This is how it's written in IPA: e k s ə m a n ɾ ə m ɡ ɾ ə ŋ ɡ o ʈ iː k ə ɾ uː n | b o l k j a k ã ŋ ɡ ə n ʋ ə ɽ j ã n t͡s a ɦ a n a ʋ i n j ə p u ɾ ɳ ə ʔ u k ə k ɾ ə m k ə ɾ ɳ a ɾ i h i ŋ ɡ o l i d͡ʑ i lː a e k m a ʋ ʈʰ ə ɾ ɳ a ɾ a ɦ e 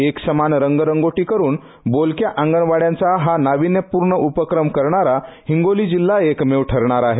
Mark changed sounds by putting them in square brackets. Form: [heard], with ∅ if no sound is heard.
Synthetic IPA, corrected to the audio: e k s ə m a n ɾ ə [ŋ] ɡ ɾ ə ŋ ɡ o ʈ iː k ə ɾ uː n | b o l k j a [ʔ] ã ŋ ɡ ə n ʋ [a] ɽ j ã n t͡s a ɦ a n a ʋ i n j ə p u ɾ ɳ ə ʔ u [p] ə k ɾ ə m k ə ɾ ɳ a ɾ [a] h i ŋ ɡ o l i d͡ʑ i lː a e k m [e] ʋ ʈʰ ə ɾ ɳ a ɾ a ɦ e